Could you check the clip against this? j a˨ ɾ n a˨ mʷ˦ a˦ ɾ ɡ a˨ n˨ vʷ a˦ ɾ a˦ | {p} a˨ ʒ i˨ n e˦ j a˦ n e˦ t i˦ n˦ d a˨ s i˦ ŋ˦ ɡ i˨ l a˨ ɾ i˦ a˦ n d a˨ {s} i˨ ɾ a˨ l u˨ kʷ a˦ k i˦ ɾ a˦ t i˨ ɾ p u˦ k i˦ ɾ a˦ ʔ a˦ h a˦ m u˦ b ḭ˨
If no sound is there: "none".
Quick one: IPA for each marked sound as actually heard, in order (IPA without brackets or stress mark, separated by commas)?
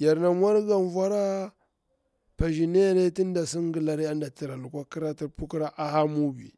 p, t